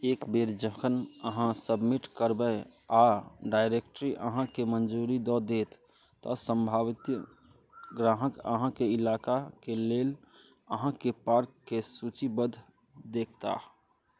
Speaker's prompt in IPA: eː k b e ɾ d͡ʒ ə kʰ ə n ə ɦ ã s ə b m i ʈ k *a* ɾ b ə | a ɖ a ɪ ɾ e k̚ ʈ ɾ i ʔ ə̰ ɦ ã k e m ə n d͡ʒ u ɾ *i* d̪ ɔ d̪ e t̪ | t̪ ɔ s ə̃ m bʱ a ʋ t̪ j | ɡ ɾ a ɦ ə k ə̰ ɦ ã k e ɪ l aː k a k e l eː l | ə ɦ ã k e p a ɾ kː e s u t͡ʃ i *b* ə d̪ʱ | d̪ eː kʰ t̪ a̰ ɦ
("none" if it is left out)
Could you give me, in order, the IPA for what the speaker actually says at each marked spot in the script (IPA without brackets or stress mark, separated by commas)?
ə, i, b